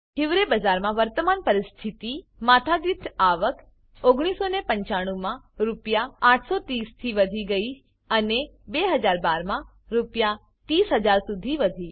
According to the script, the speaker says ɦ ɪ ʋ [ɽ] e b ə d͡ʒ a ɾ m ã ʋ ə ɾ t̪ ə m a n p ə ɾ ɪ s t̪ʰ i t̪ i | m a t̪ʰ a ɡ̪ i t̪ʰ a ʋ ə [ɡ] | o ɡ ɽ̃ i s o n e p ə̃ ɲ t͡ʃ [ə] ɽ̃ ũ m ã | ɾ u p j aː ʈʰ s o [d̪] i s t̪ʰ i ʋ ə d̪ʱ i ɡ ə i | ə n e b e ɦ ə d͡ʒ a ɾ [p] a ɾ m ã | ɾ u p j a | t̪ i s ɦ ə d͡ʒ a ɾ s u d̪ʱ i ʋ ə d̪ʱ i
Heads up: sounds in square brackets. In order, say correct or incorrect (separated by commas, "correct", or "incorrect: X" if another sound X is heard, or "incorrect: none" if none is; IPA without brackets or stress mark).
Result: incorrect: ɾ, incorrect: k, incorrect: a, incorrect: t̪, incorrect: b